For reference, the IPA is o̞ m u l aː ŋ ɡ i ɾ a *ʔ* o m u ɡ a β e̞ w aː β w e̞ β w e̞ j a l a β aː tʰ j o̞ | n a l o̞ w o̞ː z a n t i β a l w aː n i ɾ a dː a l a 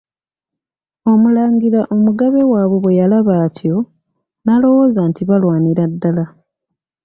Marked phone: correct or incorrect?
correct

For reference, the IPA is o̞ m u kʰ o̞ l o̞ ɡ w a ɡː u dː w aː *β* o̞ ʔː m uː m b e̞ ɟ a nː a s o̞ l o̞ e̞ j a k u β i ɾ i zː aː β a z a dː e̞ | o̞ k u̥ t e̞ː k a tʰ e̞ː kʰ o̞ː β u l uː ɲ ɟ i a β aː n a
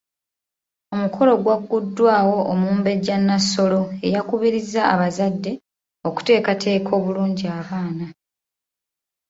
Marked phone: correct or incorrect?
incorrect: w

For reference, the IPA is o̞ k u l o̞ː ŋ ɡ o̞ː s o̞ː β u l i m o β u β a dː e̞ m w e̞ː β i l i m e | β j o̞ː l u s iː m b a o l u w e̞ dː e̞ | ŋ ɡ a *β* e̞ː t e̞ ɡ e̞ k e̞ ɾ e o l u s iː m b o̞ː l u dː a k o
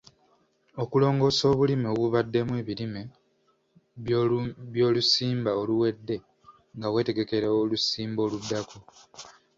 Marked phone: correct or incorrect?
incorrect: w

